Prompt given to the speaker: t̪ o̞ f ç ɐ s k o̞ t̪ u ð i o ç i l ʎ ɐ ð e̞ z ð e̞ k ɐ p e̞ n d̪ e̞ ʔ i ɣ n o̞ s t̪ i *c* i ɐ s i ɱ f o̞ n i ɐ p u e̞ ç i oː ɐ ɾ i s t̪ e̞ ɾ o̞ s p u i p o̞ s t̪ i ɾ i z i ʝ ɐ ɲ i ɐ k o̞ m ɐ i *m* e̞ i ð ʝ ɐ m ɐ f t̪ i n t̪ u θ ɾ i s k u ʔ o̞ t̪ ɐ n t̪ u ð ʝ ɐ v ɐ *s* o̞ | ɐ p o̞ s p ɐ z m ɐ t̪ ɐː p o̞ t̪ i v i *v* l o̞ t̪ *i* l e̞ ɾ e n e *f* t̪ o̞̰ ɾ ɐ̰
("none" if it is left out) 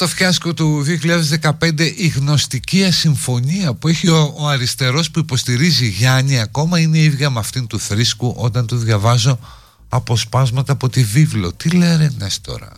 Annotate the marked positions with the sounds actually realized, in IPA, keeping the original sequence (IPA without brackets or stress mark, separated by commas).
c, n, z, v, i, s